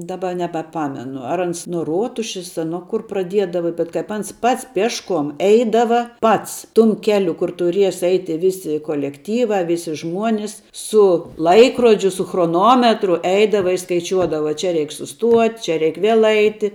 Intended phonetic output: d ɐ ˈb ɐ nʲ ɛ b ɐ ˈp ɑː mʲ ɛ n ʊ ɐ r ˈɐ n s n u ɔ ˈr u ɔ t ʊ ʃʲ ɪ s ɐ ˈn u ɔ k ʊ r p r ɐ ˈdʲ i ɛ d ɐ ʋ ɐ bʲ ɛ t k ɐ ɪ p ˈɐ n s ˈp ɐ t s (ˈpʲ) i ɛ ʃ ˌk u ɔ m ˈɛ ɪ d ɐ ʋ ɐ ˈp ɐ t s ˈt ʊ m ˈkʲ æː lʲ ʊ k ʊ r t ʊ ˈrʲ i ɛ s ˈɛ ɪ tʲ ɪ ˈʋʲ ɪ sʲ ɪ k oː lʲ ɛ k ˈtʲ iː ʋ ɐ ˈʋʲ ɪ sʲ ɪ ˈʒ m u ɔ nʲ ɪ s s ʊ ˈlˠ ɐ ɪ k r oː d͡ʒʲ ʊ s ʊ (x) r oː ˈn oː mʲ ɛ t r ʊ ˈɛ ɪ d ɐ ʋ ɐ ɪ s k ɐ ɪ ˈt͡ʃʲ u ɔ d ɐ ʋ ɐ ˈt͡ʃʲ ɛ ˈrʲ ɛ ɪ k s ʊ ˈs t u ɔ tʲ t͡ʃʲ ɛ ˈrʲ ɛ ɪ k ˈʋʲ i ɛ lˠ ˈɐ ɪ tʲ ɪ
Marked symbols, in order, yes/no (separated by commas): yes, yes